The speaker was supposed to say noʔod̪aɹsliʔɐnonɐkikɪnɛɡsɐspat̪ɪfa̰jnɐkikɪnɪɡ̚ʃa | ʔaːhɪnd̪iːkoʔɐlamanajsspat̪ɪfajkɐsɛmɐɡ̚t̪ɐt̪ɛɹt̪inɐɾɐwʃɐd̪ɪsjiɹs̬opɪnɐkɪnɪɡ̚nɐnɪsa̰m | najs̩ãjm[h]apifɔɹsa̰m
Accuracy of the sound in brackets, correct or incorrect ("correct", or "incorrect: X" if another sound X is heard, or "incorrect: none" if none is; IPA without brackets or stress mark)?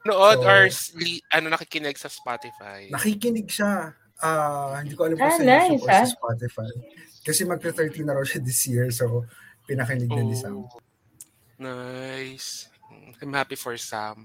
correct